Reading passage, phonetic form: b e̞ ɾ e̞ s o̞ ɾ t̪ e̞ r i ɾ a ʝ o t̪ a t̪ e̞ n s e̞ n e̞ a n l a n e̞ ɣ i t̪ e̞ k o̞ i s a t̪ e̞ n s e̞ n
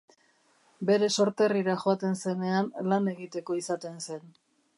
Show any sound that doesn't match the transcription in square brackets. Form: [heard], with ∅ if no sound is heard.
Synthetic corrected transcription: b e̞ ɾ e̞ s o̞ ɾ t̪ e̞ r i ɾ a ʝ o [∅] a t̪ e̞ n s e̞ n e̞ a n l a n e̞ ɣ i t̪ e̞ k o̞ i s a t̪ e̞ n s e̞ n